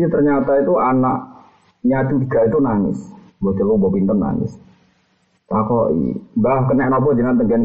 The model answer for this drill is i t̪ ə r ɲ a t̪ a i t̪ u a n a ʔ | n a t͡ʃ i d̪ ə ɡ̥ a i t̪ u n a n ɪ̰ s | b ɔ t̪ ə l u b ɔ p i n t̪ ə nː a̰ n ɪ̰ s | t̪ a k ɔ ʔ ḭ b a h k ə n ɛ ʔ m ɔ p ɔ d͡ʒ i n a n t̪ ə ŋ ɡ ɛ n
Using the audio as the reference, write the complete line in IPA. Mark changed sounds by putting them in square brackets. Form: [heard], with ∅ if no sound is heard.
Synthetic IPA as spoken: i t̪ ə r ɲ a t̪ a i t̪ u a n a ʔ | [ɲ] a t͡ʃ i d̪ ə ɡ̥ a i t̪ u n a n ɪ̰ s | b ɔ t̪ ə l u b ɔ p i n t̪ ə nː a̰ n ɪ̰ s | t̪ a k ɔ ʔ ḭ b a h k ə n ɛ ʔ [n] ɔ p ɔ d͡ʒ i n a n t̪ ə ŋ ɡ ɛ n